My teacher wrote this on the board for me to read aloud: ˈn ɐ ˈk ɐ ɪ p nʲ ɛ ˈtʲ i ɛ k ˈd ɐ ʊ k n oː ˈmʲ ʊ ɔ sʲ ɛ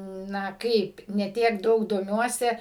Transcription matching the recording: ˈn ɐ ˈk ɐ ɪ p nʲ ɛ ˈtʲ i ɛ k ˈd ɐ ʊ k d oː ˈmʲ u ɔ sʲ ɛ